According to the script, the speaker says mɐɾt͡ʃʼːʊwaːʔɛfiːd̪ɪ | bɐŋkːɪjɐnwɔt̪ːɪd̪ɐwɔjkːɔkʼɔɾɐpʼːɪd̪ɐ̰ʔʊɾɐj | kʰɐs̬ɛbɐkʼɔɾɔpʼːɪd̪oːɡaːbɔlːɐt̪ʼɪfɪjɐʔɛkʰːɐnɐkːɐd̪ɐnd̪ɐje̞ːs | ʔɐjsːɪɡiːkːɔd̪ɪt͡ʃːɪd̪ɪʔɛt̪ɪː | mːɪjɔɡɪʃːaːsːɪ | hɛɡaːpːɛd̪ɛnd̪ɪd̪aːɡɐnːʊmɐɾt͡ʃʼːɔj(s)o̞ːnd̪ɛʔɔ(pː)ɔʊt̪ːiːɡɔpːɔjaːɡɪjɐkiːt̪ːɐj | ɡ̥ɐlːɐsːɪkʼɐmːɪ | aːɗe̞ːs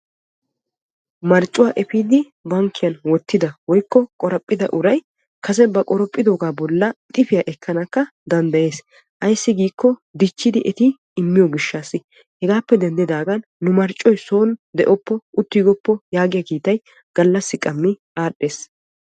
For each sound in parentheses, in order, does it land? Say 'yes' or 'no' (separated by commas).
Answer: yes, yes